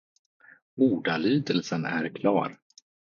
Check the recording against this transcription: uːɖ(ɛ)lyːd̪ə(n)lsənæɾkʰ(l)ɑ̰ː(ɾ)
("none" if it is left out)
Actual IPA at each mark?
a, none, l, ɾ

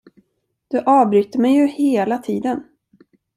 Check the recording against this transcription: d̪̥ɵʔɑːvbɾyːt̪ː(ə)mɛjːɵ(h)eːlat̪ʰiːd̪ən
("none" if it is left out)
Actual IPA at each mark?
ə, h

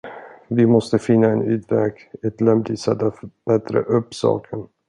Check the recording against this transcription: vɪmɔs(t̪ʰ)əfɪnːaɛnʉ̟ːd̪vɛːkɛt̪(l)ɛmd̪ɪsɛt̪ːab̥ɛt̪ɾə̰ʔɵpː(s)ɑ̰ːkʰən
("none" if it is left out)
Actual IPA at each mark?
t̪, l, s

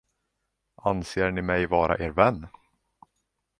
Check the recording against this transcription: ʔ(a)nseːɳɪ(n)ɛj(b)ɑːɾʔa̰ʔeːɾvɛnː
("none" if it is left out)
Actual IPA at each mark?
a, m, v

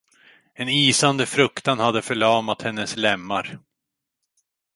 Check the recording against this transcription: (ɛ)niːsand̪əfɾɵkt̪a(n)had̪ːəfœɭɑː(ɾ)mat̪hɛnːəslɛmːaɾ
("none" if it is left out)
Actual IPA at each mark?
ɛ, n, none

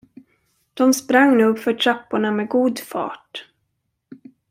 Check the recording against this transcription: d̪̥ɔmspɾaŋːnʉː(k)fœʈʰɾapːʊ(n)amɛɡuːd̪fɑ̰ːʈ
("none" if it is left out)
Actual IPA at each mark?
ɡ, ɳ

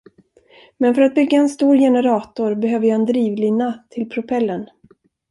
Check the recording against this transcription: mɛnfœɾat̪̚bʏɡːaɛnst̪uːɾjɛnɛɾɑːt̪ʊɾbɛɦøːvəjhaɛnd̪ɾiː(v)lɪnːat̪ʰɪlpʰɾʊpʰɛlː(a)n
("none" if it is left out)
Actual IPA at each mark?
v, ə

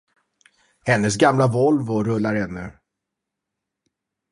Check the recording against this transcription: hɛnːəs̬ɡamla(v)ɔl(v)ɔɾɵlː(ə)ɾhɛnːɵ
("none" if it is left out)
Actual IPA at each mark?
v, v, a

